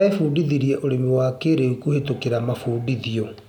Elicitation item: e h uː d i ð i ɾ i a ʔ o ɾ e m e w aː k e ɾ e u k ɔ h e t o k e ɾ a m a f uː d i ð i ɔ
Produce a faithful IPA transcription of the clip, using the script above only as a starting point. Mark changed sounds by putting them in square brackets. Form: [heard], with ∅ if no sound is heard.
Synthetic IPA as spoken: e [f] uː d i ð i ɾ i [ɛ] ʔ o ɾ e m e w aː k e ɾ e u k [u] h e t o k e ɾ a m a f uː d i ð i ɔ